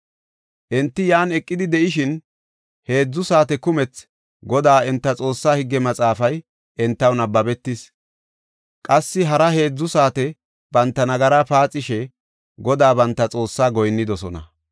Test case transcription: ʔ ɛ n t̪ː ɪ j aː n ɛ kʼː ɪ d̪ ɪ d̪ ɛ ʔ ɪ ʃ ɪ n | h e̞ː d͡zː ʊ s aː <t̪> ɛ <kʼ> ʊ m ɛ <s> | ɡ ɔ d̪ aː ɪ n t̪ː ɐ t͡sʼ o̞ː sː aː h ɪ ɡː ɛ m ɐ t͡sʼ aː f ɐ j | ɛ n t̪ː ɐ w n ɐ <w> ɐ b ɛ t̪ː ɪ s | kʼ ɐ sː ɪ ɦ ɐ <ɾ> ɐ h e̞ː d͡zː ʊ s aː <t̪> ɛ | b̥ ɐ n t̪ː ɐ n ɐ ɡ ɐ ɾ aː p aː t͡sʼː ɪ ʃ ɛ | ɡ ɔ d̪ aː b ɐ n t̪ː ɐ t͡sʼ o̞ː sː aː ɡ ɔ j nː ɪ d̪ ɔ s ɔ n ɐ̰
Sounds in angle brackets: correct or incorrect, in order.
correct, incorrect, incorrect, incorrect, correct, correct

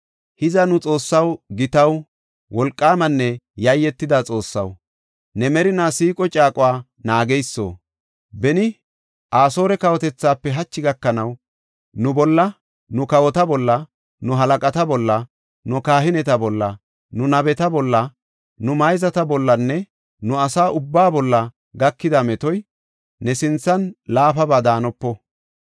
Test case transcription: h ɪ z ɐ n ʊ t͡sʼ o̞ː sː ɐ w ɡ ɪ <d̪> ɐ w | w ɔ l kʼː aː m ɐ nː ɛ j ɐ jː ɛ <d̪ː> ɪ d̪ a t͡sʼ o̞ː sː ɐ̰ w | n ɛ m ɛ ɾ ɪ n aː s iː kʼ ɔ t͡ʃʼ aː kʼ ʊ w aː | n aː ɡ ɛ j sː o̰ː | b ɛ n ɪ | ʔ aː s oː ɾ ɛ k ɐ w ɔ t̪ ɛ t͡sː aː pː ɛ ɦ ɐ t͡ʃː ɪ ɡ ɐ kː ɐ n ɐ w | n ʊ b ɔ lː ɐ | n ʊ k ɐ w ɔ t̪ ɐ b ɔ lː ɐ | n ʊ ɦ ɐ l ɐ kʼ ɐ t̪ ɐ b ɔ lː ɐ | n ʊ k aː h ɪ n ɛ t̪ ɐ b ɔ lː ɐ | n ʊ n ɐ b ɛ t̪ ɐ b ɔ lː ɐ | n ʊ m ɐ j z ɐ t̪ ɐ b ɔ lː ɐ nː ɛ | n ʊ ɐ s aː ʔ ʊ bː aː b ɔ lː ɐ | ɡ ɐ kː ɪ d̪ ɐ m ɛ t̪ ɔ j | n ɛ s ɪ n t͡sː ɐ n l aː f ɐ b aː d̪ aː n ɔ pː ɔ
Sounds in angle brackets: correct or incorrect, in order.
incorrect, incorrect

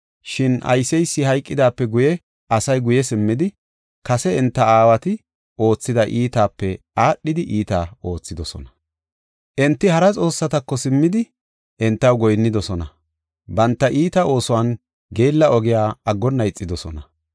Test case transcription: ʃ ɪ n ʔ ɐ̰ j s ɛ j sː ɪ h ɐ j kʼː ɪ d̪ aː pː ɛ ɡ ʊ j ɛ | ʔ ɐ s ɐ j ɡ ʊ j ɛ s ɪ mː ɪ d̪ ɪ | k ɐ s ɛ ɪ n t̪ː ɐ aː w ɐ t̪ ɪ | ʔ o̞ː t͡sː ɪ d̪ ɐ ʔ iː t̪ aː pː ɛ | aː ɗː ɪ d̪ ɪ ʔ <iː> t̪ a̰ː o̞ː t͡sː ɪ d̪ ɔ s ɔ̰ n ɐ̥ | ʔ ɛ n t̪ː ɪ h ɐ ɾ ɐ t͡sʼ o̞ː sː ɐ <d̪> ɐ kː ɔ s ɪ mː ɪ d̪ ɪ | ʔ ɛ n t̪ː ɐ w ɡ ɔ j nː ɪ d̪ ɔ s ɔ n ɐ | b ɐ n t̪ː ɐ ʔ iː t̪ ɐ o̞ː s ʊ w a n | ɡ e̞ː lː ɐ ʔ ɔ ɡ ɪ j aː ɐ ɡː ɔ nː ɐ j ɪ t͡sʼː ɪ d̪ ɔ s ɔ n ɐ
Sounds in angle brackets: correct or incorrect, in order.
correct, incorrect

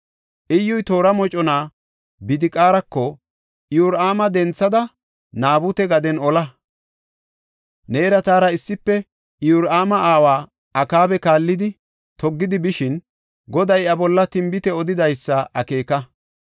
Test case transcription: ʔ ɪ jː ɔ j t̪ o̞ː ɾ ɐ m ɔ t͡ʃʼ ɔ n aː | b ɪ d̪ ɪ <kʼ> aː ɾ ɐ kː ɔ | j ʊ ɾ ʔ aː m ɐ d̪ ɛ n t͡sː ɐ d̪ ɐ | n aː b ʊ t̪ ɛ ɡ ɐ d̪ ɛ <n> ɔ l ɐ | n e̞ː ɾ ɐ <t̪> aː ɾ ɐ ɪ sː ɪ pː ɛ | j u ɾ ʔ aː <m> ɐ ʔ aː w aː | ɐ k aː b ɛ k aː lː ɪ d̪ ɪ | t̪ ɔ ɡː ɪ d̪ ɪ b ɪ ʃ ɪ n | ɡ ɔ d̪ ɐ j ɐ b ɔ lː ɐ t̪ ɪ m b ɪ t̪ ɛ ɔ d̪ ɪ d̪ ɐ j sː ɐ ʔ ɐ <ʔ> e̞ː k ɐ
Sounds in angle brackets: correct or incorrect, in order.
correct, correct, correct, correct, incorrect

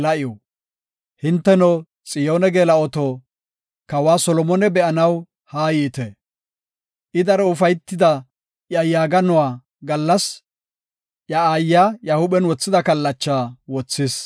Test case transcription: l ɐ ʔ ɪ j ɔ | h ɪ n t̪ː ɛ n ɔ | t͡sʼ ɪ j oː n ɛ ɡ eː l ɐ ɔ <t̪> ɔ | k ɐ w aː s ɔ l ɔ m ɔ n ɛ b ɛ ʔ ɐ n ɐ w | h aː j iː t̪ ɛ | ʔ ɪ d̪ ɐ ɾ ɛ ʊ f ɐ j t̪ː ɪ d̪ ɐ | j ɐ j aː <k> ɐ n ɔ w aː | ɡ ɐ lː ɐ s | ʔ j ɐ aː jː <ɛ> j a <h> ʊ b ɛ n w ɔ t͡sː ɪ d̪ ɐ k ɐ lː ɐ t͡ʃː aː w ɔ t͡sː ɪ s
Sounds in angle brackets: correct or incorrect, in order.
correct, incorrect, incorrect, correct

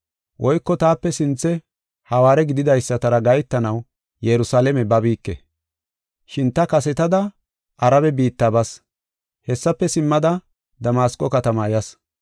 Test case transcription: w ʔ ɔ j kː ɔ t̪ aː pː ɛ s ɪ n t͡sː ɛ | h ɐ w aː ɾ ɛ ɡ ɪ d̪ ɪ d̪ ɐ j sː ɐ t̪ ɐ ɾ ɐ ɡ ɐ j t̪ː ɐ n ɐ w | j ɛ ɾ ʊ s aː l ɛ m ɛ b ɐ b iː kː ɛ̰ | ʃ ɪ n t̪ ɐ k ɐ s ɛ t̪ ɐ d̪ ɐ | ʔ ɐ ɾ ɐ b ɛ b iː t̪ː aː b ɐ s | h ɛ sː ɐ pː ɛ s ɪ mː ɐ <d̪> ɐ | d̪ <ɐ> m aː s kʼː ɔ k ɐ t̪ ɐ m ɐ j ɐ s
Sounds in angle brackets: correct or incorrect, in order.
correct, correct

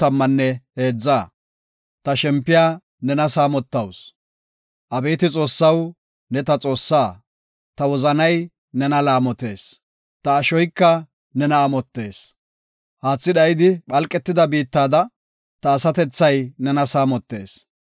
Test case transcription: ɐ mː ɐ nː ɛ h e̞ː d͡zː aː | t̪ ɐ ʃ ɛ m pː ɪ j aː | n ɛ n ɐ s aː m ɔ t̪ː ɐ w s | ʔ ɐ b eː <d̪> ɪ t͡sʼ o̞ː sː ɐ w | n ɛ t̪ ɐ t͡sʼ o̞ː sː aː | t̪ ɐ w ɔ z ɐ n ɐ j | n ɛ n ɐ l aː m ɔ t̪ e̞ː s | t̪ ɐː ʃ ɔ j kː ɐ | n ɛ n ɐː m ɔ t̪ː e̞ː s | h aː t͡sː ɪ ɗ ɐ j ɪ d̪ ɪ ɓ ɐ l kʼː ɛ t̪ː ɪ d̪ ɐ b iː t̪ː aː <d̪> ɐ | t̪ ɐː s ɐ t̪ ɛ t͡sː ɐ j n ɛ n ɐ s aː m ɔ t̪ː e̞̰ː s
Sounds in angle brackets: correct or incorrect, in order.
incorrect, correct

